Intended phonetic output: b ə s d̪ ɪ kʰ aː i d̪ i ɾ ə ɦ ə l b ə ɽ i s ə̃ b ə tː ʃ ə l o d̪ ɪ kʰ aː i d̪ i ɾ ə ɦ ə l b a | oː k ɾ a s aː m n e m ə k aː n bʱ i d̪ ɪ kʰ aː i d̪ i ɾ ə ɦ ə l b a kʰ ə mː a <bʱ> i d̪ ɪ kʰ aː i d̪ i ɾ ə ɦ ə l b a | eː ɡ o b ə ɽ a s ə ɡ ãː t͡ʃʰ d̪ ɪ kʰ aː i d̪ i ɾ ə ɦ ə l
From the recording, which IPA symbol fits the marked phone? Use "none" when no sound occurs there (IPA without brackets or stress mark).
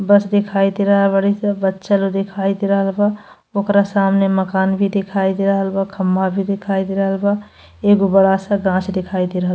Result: bʱ